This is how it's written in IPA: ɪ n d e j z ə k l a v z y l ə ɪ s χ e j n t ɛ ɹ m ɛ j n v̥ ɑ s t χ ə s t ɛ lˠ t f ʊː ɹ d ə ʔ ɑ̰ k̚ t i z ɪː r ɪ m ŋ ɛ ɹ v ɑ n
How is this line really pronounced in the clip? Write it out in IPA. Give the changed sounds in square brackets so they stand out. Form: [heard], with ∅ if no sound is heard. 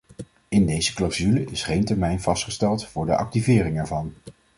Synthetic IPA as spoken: ɪ n d e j z ə k l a [w] z y l ə ɪ s χ e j n t ɛ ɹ m ɛ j n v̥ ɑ s t χ ə s t ɛ lˠ t f ʊː ɹ d ə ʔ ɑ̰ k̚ t i [v] ɪː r ɪ [∅] ŋ ɛ ɹ v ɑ n